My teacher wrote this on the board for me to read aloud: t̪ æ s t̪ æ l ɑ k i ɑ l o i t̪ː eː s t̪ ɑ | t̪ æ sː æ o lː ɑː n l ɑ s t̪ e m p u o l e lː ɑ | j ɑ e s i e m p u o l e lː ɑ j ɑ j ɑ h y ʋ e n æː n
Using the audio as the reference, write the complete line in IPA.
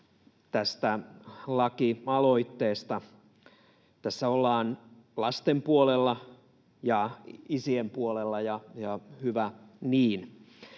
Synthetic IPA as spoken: t̪ æ s t̪ æ l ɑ k i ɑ l o i t̪ː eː s t̪ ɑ | t̪ æ sː æ o lː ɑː n l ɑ s t̪ e m p u o l e lː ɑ | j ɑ i s i e m p u o l e lː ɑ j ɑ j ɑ h y ʋ æ n iː n

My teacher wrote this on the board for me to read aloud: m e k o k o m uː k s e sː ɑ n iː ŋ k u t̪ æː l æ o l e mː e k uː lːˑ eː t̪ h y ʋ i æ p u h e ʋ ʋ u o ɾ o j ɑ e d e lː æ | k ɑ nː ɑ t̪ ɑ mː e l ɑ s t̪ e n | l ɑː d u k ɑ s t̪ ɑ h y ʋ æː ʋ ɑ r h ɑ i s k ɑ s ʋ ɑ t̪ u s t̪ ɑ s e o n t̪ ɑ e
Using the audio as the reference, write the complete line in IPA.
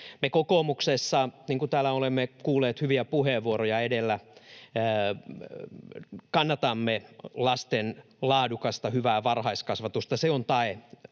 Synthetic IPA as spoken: m e k o k o m u k s e sː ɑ n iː ŋ k u t̪ æː l æ o l e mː e k uː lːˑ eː t̪ h y ʋ i æ p u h e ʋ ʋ u o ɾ o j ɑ e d e lː æ | k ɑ nː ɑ t̪ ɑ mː e l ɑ s t̪ e n | l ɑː d u k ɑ s t̪ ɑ h y ʋ æː ʋ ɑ r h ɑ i s k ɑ s ʋ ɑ t̪ u s t̪ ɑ s e o n t̪ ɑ e

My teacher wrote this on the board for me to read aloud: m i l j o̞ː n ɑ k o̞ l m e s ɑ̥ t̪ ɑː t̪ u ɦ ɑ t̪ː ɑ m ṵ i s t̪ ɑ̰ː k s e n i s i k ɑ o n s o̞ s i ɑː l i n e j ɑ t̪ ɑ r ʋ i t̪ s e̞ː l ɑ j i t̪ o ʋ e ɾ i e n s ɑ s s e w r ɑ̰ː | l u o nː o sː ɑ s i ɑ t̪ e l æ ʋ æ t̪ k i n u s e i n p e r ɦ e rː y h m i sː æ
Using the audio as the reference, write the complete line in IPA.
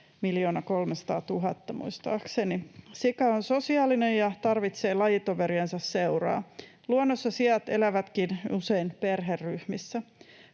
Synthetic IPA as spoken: m i l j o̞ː n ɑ k o̞ l m e s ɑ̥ t̪ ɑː t̪ u ɦ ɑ t̪ː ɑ m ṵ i s t̪ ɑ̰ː k s e n i s i k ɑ o n s o̞ s i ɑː l i n e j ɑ t̪ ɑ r ʋ i t̪ s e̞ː l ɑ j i t̪ o ʋ e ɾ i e n s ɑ s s e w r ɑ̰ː | l u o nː o sː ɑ s i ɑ t̪ e l æ ʋ æ t̪ k i n u s e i n p e r ɦ e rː y h m i sː æ

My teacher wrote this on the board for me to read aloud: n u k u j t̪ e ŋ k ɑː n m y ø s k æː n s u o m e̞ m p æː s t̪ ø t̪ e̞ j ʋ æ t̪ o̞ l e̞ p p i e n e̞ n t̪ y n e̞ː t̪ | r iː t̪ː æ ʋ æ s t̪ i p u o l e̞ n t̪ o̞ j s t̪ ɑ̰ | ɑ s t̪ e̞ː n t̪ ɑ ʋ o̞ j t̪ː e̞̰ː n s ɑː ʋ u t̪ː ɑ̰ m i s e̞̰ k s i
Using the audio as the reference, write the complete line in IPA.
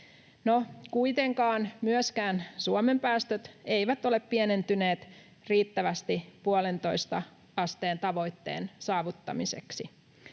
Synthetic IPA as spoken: n o k u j t̪ e ŋ k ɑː n m y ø s k æː n s u o m e̞ m p æː s t̪ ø t̪ e̞ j ʋ æ t̪ o̞ l e̞ p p i e n e̞ n t̪ y n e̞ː t̪ | r iː t̪ː æ ʋ æ s t̪ i p u o l e̞ n t̪ o̞ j s t̪ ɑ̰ | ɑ s t̪ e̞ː n t̪ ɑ ʋ o̞ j t̪ː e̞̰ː n s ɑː ʋ u t̪ː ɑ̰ m i s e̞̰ k s i

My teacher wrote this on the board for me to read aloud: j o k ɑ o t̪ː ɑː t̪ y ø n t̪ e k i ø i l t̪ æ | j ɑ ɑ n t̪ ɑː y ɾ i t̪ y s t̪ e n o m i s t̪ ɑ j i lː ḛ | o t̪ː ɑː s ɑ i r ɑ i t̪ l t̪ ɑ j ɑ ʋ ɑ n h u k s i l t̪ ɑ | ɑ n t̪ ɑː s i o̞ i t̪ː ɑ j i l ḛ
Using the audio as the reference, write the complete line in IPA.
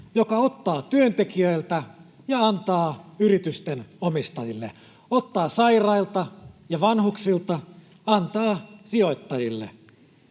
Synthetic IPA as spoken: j o k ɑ o t̪ː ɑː t̪ y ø n t̪ e k i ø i l t̪ æ | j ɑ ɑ n t̪ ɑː y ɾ i t̪ y s t̪ e n o m i s t̪ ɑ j i lː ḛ | o t̪ː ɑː s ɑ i r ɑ i l t̪ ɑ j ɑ ʋ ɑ n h u k s i l t̪ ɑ | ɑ n t̪ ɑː s i o̞ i t̪ː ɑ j i lː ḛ

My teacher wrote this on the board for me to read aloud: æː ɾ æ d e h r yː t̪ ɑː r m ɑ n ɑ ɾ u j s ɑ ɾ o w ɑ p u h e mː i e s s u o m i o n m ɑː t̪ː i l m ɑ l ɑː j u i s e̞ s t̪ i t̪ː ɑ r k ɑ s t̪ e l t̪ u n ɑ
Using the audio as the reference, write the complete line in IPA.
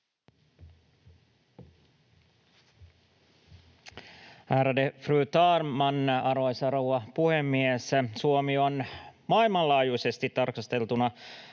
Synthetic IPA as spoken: æː ɾ æ d e f r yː t̪ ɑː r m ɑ n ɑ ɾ o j s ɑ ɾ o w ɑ p u h e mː i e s s u o m i o n m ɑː i l m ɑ l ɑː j u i s e̞ s t̪ i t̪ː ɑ r k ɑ s t̪ e l t̪ u n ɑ

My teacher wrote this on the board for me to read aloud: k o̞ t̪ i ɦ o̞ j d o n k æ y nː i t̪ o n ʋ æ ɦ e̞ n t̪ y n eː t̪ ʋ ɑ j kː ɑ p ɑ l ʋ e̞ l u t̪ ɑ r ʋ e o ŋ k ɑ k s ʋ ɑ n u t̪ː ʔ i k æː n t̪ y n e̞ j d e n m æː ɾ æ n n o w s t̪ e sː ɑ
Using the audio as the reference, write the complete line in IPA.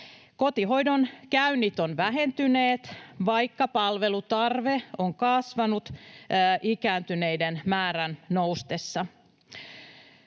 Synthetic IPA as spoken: k o̞ t̪ i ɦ o̞ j d o n k æ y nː i t̪ o n ʋ æ ɦ e̞ n t̪ y n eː t̪ ʋ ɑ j kː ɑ p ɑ l ʋ e̞ l u t̪ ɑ r ʋ e o ŋ k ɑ s ʋ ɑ n u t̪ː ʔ i k æː n t̪ y n e̞ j d e n m æː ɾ æ n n o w s t̪ e sː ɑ

